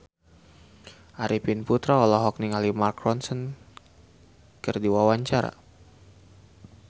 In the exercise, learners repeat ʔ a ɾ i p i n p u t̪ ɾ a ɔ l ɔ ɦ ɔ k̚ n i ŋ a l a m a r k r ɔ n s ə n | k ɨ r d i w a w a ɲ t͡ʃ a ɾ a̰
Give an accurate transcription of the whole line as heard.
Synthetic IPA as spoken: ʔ a ɾ i p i n p u t̪ ɾ a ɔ l ɔ ɦ ɔ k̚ n i ŋ a l i m a r k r ɔ n s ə n | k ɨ r d i w a w a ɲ t͡ʃ a ɾ a̰